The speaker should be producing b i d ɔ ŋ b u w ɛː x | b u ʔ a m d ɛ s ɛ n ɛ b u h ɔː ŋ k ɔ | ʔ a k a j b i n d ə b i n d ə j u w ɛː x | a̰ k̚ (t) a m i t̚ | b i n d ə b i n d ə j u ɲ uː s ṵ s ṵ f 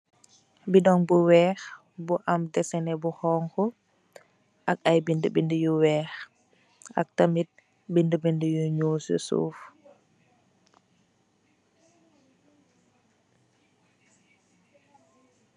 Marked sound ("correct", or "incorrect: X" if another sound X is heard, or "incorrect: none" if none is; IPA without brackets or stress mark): correct